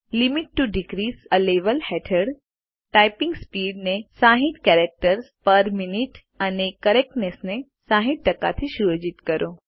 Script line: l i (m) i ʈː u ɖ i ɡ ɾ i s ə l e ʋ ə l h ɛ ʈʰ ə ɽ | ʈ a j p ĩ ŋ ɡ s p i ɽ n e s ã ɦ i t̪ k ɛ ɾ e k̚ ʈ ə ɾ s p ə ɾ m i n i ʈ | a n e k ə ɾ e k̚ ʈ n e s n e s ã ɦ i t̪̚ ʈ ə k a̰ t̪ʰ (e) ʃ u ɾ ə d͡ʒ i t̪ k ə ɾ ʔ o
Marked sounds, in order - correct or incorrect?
correct, incorrect: i

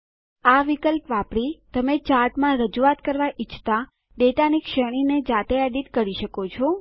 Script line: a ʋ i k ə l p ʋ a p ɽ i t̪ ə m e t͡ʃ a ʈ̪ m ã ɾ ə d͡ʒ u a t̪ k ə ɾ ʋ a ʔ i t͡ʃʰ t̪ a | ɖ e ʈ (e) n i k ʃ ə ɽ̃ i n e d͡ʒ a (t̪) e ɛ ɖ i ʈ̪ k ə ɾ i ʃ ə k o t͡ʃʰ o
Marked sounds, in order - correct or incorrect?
incorrect: a, correct

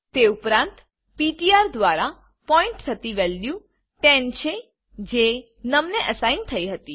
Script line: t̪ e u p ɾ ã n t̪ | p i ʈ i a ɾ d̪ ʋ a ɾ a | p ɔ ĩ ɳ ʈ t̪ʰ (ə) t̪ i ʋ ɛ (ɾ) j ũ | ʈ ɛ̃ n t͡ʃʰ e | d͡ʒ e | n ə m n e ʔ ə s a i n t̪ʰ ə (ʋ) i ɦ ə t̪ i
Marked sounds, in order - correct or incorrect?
correct, incorrect: l, incorrect: none

